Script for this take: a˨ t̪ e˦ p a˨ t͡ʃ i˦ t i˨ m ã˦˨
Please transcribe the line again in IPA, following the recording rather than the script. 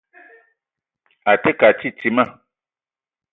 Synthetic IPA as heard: a˨ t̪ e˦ k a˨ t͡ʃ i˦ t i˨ m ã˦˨